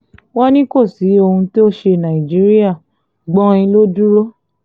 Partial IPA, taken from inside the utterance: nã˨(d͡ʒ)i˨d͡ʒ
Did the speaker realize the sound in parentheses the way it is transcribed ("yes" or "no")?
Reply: no